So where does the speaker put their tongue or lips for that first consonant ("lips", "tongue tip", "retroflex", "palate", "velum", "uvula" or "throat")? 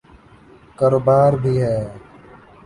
velum